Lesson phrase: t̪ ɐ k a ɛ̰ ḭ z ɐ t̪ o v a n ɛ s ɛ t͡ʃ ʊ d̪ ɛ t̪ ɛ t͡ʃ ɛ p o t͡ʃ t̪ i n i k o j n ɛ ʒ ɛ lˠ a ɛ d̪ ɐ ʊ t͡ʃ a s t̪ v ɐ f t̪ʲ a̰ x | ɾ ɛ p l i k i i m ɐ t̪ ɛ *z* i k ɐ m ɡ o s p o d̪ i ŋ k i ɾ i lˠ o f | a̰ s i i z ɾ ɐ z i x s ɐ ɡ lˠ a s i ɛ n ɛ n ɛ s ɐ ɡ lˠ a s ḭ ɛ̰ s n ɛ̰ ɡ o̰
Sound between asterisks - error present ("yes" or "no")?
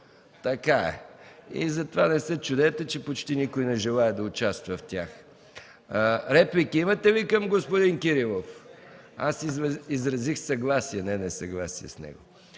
yes